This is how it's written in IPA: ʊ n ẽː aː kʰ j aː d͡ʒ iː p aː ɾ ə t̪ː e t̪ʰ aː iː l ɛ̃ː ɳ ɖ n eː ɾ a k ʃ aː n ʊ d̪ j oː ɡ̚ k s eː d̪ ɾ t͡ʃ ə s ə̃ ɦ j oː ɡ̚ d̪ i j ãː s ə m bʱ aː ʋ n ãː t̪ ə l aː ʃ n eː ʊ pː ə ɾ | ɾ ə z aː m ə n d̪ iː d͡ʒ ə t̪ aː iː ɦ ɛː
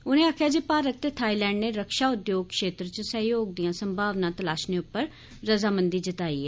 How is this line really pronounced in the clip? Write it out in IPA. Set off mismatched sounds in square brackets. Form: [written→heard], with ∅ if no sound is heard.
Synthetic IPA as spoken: ʊ n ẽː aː kʰ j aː d͡ʒ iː p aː ɾ ə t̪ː e t̪ʰ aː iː l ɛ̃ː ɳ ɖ n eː ɾ [a→ə] k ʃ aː [n→∅] ʊ d̪ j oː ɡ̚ k [s→ʃ] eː [d̪→t̪] ɾ t͡ʃ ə s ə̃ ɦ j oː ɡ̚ d̪ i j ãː s ə m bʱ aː ʋ n ãː t̪ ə l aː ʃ n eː ʊ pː ə ɾ | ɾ ə z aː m ə n d̪ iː d͡ʒ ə t̪ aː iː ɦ ɛː